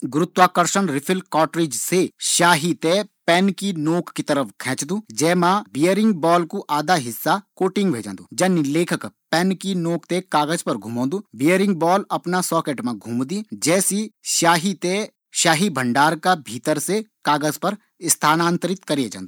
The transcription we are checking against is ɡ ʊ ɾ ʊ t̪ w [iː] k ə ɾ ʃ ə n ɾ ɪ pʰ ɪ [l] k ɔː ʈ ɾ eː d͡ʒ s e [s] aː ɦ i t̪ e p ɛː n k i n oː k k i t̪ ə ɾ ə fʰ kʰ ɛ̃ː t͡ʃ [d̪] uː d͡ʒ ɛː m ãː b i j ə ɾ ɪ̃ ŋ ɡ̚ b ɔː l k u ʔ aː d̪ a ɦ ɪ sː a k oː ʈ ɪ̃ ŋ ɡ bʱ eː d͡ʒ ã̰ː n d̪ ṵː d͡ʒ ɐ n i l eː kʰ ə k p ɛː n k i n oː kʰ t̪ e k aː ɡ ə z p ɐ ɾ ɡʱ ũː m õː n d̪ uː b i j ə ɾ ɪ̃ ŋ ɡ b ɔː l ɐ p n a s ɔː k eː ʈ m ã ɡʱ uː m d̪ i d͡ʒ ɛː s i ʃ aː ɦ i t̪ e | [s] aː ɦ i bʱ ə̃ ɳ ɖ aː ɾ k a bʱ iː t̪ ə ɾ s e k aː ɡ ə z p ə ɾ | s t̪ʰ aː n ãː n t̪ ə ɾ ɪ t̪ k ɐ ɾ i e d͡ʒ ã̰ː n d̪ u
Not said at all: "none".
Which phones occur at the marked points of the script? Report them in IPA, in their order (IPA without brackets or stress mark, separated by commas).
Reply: aː, l, ʃ, d̪, ʃ